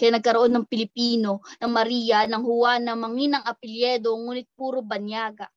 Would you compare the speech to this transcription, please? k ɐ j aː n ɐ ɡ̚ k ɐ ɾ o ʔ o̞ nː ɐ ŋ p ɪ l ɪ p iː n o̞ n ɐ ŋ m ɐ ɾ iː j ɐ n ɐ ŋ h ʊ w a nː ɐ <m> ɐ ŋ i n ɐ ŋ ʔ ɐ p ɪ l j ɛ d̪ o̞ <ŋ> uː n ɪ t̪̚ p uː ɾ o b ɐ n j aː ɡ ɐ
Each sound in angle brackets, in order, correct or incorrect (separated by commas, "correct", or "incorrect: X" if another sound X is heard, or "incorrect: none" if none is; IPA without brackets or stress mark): correct, correct